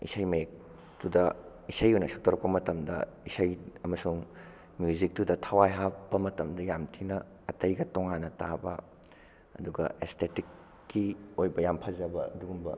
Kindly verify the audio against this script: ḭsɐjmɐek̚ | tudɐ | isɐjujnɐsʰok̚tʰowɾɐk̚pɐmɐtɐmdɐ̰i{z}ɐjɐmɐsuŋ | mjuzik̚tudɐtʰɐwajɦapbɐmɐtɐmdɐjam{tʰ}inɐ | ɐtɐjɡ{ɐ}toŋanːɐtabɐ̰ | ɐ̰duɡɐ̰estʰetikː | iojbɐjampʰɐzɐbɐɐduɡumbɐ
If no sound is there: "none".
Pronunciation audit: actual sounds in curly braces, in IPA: s, tʰ, ɐ

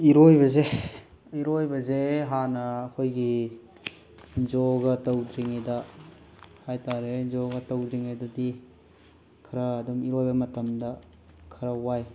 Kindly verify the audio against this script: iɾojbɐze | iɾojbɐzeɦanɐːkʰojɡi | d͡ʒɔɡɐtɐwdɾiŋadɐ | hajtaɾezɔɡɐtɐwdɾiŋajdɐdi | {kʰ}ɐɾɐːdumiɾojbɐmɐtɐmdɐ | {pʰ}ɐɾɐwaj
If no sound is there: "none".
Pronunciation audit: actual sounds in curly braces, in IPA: kʰ, kʰ

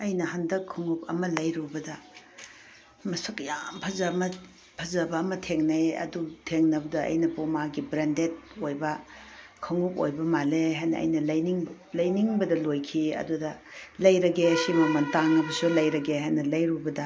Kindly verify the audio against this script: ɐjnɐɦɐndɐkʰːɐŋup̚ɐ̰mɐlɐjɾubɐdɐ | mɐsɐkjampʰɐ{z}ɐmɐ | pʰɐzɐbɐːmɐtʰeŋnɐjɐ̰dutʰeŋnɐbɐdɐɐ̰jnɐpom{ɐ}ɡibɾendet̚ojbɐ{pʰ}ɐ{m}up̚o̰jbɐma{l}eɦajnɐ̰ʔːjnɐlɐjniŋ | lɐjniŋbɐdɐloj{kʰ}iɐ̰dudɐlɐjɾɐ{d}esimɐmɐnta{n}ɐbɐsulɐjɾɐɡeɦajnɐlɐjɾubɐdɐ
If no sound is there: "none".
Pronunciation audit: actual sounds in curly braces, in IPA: z, a, kʰ, ŋ, l, kʰ, ɡ, ŋ

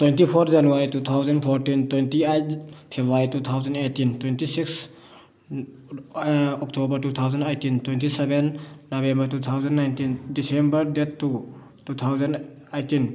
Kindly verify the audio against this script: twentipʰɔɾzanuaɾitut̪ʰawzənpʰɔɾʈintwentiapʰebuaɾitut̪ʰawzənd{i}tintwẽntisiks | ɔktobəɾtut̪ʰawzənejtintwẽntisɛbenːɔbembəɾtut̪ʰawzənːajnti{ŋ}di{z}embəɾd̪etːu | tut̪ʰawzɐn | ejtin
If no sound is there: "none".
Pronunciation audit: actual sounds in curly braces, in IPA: e, n, s

